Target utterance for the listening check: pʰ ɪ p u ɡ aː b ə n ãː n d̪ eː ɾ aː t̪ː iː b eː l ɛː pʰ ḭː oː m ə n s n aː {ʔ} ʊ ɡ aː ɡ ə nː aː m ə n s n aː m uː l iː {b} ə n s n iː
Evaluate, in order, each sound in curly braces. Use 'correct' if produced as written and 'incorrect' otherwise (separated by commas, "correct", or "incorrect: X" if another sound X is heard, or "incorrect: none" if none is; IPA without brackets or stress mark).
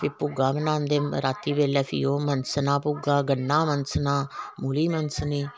incorrect: p, incorrect: m